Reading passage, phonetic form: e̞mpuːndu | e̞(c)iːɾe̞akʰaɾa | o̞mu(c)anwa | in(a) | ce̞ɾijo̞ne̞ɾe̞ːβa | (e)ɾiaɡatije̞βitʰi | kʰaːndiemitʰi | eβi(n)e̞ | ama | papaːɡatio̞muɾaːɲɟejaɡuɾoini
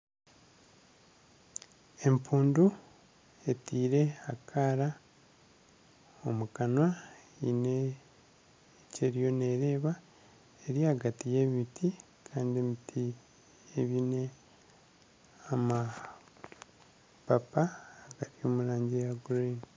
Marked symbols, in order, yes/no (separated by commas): no, no, no, yes, yes